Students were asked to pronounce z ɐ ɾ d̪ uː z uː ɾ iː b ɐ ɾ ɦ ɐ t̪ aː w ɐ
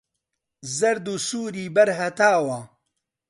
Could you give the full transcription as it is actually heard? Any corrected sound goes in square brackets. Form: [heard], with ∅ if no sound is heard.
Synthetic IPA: z ɐ ɾ d̪ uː [s] uː ɾ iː b ɐ ɾ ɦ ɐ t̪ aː w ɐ